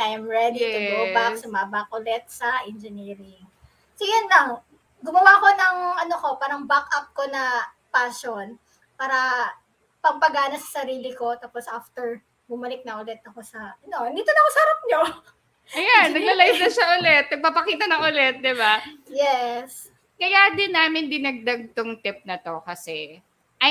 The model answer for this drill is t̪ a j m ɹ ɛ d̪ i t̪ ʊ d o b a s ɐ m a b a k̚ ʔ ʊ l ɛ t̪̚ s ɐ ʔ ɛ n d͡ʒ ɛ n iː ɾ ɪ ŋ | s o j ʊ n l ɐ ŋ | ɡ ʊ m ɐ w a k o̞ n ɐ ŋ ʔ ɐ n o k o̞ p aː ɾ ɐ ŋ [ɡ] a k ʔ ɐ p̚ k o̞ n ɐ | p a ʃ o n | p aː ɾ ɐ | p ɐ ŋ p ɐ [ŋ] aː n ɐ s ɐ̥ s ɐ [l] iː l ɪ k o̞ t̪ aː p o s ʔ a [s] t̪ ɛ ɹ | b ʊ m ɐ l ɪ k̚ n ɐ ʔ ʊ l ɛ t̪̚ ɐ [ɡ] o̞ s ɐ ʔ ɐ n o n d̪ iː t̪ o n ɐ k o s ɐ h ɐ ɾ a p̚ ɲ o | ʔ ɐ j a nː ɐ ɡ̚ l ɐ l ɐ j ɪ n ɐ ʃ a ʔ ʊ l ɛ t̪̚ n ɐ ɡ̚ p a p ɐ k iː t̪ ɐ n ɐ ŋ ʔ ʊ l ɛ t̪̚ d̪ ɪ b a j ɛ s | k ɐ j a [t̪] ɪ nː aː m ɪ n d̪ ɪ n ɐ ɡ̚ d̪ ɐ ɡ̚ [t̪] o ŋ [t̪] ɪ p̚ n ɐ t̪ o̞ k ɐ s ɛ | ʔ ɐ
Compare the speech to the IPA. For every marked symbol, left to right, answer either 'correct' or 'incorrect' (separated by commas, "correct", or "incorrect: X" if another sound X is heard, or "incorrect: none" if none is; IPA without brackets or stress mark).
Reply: incorrect: b, incorrect: ɡ, incorrect: ɾ, incorrect: f, incorrect: k, incorrect: d̪, correct, correct